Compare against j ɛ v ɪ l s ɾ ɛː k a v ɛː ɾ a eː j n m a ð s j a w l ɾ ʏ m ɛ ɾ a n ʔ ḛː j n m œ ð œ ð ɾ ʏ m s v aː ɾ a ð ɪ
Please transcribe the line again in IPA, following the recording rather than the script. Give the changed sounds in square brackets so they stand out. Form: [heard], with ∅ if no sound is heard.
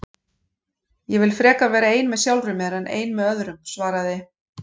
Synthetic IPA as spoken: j ɛ v ɪ l [f] ɾ ɛː k a v ɛː ɾ a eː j n m [ɛ] ð s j a w l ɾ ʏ m ɛ ɾ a n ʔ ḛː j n m [ɛ] ð œ ð ɾ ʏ m s v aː ɾ a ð ɪ